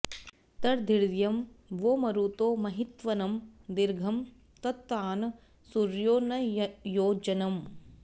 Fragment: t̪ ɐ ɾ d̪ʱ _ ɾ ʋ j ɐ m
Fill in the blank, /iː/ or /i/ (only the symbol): i